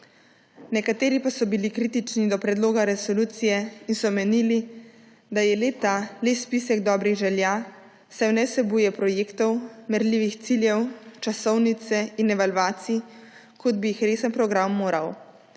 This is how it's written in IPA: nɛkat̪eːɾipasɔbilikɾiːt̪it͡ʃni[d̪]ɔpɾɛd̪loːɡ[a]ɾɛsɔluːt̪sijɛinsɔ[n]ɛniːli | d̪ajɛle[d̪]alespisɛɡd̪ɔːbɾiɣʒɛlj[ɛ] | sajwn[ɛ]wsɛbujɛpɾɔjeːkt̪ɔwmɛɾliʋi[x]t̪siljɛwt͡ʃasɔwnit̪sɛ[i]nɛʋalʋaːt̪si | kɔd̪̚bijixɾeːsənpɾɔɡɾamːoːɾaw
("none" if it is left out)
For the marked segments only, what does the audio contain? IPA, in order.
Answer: d̪, a, m, t̪, a, ɛ, x, i

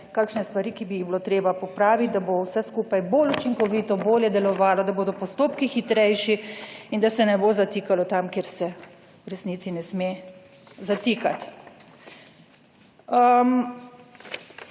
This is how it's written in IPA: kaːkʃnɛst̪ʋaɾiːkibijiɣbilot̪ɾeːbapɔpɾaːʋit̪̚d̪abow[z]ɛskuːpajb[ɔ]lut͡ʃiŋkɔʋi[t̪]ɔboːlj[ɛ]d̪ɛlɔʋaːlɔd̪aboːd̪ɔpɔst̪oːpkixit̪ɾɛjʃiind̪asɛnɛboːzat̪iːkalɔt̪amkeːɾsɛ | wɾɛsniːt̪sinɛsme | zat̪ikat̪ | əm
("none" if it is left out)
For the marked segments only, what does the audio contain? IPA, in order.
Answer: s, o, t̪, ɛ

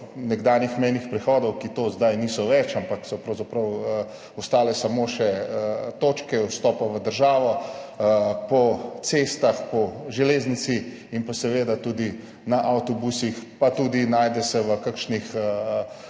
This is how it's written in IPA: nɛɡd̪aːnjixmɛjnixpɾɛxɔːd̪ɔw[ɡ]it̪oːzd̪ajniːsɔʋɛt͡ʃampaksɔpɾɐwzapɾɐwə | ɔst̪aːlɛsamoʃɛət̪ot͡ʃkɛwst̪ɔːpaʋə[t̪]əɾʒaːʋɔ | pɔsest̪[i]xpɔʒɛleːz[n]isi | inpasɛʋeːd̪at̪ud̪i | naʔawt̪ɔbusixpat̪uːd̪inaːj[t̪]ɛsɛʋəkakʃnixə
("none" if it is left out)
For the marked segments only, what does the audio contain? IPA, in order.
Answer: k, d̪, a, n, d̪

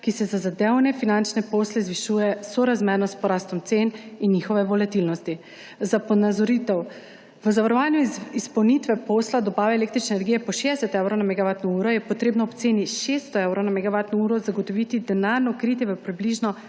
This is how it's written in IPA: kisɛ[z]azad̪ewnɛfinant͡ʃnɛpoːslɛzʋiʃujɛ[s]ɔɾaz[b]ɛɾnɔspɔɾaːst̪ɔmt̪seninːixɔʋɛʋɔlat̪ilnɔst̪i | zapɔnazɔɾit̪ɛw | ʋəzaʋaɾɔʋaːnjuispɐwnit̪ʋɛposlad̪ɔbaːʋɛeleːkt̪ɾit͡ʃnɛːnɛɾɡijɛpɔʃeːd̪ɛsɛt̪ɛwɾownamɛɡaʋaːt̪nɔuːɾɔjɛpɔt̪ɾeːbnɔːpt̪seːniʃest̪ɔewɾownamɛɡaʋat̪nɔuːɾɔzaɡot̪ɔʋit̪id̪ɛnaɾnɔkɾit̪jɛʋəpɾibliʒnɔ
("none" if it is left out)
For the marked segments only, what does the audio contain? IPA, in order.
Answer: z, s, m

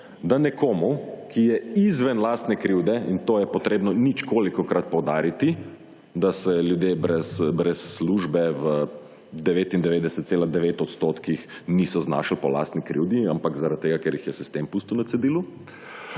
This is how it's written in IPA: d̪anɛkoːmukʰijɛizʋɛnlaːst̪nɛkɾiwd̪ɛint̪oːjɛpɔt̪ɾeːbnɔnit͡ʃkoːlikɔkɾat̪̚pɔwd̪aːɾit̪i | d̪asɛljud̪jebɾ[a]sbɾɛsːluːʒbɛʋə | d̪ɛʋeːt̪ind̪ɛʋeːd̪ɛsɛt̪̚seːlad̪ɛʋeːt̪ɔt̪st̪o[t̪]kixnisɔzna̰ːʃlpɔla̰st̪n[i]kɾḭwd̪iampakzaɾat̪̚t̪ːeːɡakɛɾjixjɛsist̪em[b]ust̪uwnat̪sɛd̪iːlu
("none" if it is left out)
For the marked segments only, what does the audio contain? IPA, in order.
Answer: ɛ, t̪, i, p

